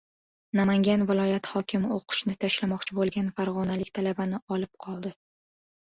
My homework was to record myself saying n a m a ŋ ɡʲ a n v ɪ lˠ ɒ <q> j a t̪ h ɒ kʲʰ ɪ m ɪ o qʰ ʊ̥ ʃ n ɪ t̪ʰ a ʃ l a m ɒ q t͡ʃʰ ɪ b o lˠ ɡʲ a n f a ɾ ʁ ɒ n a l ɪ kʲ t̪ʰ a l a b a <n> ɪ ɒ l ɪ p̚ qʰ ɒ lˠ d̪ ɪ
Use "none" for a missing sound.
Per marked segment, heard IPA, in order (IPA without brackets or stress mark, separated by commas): none, n